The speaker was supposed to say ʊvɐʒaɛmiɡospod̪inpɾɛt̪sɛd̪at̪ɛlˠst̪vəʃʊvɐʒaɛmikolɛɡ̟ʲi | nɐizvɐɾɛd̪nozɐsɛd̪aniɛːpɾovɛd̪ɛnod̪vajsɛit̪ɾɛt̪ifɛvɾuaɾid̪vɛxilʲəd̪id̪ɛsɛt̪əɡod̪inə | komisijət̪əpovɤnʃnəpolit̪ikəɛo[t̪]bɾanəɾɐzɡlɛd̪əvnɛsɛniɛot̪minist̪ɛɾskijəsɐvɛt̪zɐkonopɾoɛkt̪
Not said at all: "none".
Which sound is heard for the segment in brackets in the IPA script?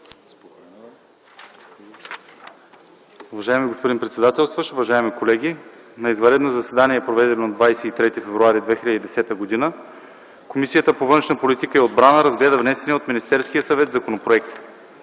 d̪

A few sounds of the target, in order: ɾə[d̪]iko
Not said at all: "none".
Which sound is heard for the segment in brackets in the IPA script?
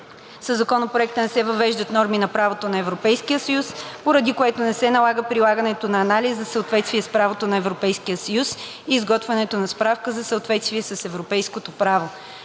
d̪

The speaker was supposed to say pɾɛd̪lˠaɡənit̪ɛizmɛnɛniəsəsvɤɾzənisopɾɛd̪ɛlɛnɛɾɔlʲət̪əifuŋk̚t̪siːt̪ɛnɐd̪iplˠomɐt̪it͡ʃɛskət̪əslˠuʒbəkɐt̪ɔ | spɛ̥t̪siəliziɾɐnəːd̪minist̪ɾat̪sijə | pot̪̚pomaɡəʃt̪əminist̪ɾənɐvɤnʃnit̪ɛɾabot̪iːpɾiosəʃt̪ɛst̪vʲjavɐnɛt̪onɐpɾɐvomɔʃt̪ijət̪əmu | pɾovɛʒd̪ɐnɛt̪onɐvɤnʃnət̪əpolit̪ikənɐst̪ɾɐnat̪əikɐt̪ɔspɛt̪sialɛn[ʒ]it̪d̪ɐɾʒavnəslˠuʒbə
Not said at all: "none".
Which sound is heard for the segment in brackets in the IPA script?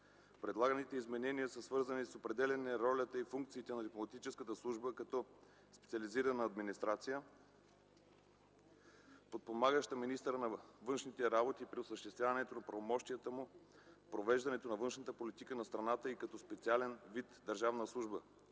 v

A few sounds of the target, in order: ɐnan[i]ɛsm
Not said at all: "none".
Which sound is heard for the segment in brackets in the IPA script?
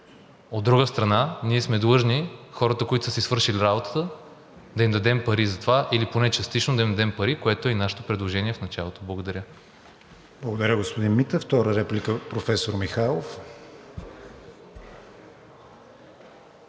i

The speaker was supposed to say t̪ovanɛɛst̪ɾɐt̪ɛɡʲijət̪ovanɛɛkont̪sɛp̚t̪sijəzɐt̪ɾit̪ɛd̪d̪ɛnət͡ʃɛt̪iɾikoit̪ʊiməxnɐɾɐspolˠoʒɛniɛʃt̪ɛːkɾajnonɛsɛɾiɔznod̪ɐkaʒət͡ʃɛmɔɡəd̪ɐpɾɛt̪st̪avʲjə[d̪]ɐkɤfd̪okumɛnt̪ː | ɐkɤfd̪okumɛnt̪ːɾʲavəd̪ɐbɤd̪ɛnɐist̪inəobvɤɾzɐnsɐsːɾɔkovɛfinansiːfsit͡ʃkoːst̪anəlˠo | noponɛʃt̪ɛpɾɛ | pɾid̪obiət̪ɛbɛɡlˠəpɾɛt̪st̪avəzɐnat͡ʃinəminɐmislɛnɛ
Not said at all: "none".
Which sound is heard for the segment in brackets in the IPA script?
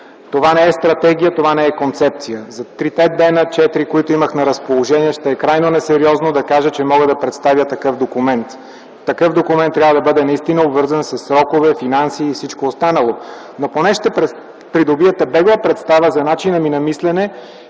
t̪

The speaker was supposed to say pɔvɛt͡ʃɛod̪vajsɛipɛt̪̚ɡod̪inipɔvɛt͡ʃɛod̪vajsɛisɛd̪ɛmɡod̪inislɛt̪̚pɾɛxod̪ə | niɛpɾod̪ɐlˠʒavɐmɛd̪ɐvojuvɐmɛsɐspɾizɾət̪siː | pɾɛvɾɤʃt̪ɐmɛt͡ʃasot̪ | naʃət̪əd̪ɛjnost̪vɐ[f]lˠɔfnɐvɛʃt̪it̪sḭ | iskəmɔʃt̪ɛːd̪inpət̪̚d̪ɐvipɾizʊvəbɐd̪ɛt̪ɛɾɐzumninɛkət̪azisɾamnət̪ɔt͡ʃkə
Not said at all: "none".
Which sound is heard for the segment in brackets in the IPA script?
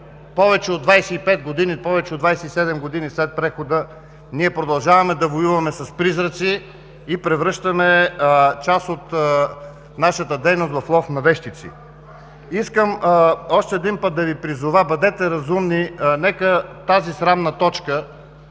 f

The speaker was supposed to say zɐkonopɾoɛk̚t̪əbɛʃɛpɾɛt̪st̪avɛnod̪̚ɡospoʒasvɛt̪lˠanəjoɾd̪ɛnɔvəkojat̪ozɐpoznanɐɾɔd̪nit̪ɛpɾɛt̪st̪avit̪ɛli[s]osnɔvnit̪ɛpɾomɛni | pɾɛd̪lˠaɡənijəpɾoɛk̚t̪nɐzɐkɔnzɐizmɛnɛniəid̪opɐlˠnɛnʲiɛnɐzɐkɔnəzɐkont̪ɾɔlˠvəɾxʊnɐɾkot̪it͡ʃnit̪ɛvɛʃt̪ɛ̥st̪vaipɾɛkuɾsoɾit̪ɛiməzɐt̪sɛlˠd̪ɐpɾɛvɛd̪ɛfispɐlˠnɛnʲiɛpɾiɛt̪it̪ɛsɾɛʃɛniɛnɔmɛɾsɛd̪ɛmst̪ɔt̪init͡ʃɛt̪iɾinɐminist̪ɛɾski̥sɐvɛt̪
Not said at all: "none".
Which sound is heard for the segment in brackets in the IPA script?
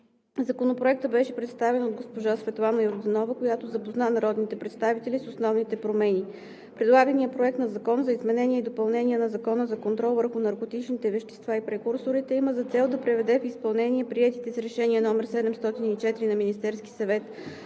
s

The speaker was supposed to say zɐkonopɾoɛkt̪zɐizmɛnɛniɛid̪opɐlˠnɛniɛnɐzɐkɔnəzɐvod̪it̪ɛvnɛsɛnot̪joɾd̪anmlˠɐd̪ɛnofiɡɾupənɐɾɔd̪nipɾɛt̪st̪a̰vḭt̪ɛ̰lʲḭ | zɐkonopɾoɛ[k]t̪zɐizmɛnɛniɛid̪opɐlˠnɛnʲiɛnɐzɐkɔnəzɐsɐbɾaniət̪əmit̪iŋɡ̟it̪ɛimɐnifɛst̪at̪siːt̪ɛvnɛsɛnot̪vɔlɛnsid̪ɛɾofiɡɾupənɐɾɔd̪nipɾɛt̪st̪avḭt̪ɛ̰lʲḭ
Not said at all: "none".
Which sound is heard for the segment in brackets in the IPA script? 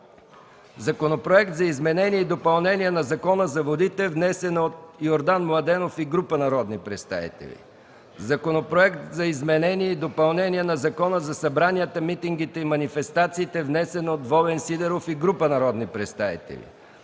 k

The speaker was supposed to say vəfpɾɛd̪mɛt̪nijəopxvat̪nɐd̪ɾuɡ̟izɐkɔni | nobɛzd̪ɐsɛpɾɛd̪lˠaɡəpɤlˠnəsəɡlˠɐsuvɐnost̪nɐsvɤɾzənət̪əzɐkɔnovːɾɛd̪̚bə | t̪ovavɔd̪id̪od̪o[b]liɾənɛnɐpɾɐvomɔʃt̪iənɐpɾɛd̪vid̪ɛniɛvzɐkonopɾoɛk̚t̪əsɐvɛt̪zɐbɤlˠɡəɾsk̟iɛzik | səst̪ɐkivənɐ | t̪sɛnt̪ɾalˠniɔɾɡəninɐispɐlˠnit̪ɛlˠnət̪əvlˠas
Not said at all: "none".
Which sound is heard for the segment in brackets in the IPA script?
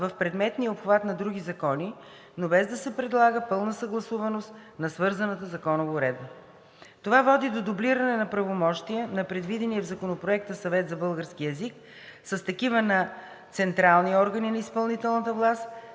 b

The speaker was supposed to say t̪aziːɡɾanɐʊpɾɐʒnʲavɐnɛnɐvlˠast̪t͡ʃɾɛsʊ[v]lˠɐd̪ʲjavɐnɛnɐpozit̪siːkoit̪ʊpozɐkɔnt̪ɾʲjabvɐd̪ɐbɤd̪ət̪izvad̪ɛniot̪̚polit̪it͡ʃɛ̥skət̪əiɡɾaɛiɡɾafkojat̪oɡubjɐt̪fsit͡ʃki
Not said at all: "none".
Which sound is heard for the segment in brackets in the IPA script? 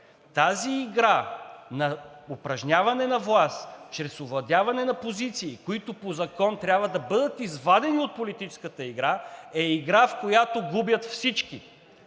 v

